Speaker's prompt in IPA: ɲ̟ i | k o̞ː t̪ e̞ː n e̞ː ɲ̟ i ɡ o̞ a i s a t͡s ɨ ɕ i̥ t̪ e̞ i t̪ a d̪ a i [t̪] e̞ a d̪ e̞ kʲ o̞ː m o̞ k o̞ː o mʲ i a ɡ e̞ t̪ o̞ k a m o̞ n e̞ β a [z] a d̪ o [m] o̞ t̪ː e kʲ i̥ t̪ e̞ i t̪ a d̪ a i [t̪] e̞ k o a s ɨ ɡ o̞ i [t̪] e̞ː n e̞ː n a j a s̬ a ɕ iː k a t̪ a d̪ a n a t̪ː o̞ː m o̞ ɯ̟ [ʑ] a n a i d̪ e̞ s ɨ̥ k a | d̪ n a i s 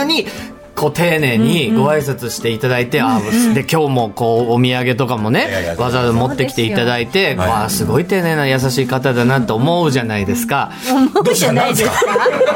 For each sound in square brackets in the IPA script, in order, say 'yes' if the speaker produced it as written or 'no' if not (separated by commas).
yes, yes, yes, yes, yes, yes